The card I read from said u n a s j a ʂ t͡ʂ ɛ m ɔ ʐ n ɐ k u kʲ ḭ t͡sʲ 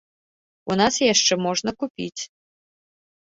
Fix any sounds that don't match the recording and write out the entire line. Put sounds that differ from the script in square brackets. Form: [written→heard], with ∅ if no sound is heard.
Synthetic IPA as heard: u n a s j a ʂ t͡ʂ ɛ m ɔ ʐ n ɐ k u [kʲ→pʲ] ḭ t͡sʲ